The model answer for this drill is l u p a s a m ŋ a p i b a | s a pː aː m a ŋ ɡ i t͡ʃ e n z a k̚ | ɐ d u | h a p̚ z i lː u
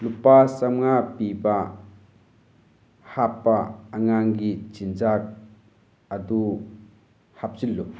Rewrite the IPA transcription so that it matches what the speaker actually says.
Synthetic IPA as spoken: l u p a s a m ŋ a p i b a | h a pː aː ŋ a ŋ ɡ i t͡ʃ i n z a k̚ | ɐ d u | h a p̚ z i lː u

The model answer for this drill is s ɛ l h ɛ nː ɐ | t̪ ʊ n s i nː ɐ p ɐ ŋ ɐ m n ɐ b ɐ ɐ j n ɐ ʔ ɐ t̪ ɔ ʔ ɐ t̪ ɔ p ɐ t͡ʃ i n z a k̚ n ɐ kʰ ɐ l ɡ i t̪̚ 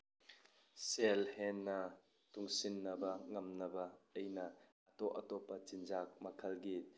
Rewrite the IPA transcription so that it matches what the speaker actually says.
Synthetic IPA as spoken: s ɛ l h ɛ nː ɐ | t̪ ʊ ŋ s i nː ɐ b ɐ ŋ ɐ m n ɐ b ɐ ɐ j n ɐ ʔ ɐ t̪ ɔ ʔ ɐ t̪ ɔ p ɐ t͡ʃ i n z a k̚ m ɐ kʰ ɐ l ɡ i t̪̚

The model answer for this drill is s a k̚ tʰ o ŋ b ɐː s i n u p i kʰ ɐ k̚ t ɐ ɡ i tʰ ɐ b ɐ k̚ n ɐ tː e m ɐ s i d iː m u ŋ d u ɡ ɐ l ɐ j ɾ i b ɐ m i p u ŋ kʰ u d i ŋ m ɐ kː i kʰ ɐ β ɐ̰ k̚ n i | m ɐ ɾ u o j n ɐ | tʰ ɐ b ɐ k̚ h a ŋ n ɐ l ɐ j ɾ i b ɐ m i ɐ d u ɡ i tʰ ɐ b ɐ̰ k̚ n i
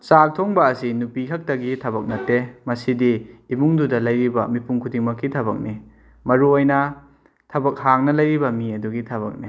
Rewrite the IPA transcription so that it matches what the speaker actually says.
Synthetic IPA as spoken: s a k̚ tʰ o ŋ b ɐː s i n u p i kʰ ɐ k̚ t ɐ ɡ i tʰ ɐ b ɐ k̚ n ɐ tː e m ɐ s i d iː m u ŋ d u d ɐ l ɐ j ɾ i b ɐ m i p u ŋ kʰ u d i ŋ m ɐ kː i tʰ ɐ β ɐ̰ k̚ n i | m ɐ ɾ u o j n ɐ | tʰ ɐ b ɐ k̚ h a ŋ n ɐ l ɐ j ɾ i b ɐ m i ɐ d u ɡ i tʰ ɐ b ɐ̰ k̚ n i

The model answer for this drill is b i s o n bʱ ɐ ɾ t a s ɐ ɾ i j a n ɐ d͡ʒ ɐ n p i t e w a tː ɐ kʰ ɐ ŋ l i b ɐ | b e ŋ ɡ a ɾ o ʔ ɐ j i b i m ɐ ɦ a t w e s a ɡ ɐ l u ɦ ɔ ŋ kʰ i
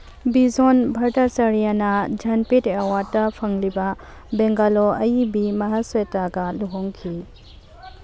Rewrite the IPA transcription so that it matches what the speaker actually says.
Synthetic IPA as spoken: b i z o n bʱ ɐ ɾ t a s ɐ ɾ i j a n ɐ d͡ʒ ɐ n p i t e w a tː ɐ pʰ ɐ ŋ l i b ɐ | b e ŋ ɡ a l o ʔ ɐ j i b i m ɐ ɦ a s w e t a ɡ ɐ l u ɦ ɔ ŋ kʰ i

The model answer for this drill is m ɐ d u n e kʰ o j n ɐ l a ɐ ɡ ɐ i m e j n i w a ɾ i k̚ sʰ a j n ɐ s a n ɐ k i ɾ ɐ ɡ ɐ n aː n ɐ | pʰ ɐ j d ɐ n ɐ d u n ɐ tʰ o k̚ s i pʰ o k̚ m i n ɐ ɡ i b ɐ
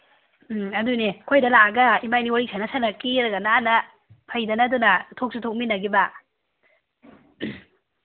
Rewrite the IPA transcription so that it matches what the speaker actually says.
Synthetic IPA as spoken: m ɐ d u n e kʰ o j d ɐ l a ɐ ɡ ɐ i m a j n i w a ɾ i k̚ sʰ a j n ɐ s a n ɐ k i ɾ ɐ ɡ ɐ n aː n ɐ | pʰ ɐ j d ɐ n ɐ d u n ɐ tʰ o k̚ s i tʰ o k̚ m i n ɐ ɡ i b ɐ

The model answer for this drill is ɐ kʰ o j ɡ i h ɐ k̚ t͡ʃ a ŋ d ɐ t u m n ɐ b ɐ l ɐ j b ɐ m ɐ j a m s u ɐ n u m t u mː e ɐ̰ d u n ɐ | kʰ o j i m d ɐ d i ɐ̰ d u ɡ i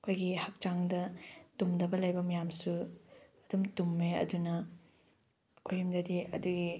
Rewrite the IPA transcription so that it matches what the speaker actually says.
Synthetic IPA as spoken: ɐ kʰ o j ɡ i h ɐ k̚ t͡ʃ a ŋ d ɐ t u m d ɐ b ɐ l ɐ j b ɐ m ɐ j a m s u ɐ d u m t u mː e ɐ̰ d u n ɐ | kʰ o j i m d ɐ d i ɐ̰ d u ɡ i

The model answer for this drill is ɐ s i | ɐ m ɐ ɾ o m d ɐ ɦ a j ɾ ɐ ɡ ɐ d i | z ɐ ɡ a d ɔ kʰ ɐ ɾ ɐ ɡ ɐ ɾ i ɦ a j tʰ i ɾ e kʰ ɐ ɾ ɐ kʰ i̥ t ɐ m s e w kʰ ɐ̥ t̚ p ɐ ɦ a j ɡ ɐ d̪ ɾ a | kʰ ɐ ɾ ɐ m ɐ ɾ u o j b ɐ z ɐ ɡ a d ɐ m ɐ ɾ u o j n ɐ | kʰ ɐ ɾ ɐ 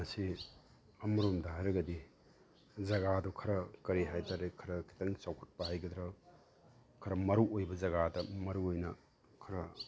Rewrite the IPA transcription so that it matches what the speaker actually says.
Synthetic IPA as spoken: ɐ s i | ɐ m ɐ ɾ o m d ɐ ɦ a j ɾ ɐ ɡ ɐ d i | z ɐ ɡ a d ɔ kʰ ɐ ɾ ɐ k ɐ ɾ i ɦ a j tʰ a ɾ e kʰ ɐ ɾ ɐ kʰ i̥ t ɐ ŋ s a w kʰ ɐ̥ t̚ p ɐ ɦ a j ɡ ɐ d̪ ɾ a | kʰ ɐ ɾ ɐ m ɐ ɾ u o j b ɐ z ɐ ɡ a d ɐ m ɐ ɾ u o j n ɐ | kʰ ɐ ɾ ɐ

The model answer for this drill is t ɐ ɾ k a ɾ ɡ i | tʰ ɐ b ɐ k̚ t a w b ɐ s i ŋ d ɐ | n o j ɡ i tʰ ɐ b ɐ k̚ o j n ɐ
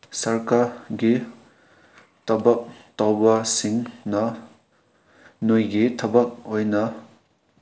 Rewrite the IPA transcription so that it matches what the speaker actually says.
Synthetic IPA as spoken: s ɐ ɾ k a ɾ ɡ i | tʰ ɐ b ɐ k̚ t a w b ɐ s i ŋ n ɐ | n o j ɡ i tʰ ɐ b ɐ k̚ o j n ɐ

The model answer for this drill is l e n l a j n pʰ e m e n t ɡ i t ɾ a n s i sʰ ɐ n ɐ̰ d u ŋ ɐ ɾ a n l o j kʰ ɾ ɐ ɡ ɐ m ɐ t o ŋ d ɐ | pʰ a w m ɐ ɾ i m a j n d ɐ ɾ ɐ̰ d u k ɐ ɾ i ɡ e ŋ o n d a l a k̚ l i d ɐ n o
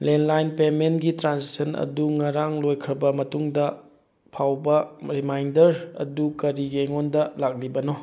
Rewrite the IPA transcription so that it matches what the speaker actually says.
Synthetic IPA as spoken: l e n l a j n p e m e n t ɡ i t ɾ a n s i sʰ ɐ n ɐ̰ d u ŋ ɐ ɾ a ŋ l o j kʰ ɾ ɐ b ɐ m ɐ t u ŋ d ɐ | pʰ a w b ɐ ɾ i m a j n d ɐ ɾ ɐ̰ d u k ɐ ɾ i ɡ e ŋ o n d ɐ l a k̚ l i b ɐ n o

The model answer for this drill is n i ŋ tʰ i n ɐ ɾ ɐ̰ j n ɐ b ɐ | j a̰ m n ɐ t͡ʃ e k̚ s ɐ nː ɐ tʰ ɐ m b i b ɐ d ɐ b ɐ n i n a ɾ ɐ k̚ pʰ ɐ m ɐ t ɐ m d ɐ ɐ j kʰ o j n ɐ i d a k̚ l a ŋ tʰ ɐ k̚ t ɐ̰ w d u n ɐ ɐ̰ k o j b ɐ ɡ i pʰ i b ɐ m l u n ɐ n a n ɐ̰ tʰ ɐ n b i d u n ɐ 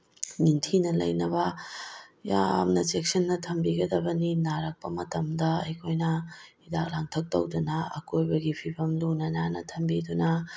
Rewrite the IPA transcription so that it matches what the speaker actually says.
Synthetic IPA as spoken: n i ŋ tʰ i n ɐ l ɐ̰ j n ɐ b ɐ | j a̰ m n ɐ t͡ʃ e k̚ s ɐ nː ɐ tʰ ɐ m b i ɡ ɐ d ɐ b ɐ n i n a ɾ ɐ k̚ p ɐ m ɐ t ɐ m d ɐ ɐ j kʰ o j n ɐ i d a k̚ l a ŋ tʰ ɐ k̚ t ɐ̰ w d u n ɐ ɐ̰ k o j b ɐ ɡ i pʰ i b ɐ m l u n ɐ n a n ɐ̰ tʰ ɐ m b i d u n ɐ

